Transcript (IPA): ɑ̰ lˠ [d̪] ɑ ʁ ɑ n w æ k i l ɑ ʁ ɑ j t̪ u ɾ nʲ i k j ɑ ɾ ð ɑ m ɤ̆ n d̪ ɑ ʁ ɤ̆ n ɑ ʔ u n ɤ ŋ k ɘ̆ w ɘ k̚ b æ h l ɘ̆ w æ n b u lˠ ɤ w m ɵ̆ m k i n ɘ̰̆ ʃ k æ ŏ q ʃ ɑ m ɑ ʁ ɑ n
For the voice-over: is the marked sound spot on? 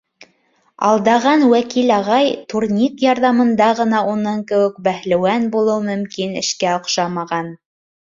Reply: yes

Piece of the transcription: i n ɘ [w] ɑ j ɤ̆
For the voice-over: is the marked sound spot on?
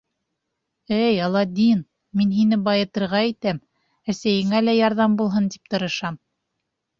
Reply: no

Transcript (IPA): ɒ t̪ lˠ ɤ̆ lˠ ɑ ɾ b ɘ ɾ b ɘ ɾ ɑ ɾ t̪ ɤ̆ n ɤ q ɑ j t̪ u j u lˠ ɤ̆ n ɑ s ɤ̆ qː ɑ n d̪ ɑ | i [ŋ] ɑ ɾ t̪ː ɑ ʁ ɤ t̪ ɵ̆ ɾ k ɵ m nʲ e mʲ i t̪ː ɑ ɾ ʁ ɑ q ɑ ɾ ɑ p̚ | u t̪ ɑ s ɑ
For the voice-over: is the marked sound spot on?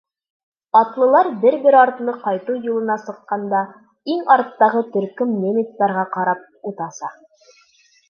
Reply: yes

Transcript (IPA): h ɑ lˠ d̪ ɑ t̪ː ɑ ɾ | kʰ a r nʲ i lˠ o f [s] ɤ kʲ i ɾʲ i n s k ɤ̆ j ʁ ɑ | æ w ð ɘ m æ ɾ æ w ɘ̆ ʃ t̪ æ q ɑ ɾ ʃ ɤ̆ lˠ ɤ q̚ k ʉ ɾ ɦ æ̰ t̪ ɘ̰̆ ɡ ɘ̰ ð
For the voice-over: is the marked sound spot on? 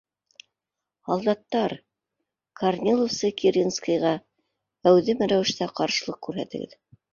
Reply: yes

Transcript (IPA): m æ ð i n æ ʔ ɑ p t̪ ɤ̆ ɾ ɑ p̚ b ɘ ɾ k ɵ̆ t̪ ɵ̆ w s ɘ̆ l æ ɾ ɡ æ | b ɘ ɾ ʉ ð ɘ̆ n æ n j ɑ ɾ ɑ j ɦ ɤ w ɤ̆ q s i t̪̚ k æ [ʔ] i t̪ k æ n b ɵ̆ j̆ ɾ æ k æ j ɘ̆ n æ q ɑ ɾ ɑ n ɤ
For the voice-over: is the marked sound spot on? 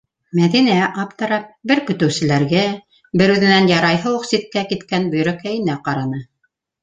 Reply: no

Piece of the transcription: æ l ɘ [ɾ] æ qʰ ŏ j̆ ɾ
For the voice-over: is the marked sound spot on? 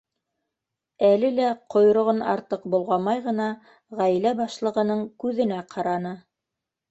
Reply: no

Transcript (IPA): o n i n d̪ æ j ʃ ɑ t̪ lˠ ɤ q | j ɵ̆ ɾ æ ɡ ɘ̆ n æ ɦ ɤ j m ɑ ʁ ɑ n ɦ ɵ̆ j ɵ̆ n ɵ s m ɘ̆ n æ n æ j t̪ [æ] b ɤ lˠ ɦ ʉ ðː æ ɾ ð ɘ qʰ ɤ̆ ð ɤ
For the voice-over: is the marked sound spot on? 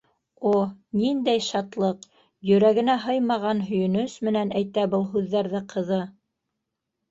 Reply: yes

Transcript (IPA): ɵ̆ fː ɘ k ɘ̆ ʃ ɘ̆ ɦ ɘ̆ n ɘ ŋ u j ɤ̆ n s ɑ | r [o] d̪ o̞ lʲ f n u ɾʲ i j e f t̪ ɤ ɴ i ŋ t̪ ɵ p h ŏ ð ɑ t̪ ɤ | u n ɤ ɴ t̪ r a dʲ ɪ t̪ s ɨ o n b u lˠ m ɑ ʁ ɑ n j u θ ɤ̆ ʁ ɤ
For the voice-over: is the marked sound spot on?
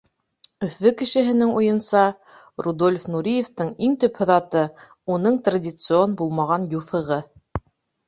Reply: no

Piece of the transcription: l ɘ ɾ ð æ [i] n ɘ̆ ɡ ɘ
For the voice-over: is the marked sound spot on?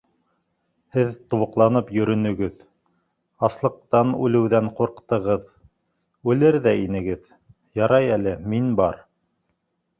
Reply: yes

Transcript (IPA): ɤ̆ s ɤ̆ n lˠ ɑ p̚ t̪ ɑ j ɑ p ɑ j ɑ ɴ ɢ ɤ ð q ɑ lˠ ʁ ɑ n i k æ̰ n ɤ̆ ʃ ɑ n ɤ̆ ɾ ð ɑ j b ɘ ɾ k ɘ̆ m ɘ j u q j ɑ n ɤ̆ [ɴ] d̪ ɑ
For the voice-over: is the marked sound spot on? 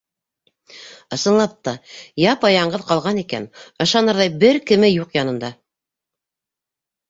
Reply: no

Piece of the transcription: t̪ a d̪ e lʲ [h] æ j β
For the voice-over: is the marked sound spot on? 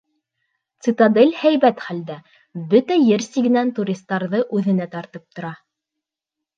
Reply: yes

